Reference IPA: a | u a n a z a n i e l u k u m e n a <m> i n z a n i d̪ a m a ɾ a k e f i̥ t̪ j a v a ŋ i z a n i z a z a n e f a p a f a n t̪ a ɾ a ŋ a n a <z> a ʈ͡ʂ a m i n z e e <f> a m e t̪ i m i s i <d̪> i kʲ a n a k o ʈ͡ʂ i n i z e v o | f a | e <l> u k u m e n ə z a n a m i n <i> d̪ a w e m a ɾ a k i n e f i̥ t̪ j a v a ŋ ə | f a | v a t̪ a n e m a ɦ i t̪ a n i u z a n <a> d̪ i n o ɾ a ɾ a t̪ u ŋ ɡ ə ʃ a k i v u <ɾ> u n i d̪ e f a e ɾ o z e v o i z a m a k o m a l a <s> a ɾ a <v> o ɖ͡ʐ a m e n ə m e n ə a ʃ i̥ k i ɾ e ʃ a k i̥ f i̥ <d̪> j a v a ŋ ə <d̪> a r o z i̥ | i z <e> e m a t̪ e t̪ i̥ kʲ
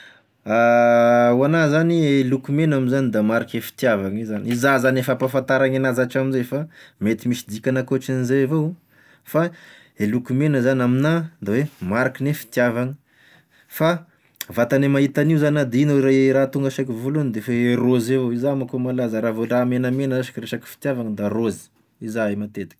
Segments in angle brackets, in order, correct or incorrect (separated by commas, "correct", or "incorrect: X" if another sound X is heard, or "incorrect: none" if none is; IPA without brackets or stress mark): correct, correct, correct, correct, correct, incorrect: a, correct, incorrect: l, incorrect: z, correct, incorrect: t̪, correct, incorrect: a